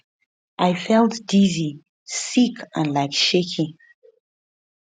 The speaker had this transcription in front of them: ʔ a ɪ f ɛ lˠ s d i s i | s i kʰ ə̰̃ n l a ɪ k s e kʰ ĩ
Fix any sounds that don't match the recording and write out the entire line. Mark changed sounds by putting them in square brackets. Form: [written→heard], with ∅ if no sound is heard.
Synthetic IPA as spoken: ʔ a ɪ f ɛ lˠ [s→t] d i [s→z] i | s i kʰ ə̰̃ n l a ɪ k [s→ʃ] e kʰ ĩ